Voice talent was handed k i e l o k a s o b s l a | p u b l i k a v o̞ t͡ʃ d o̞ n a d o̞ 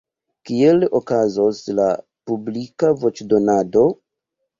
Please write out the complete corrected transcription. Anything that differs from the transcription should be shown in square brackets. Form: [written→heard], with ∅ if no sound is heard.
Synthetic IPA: k i e l o k a [s→z] o [b→∅] s l a | p u b l i k a v o̞ t͡ʃ d o̞ n a d o̞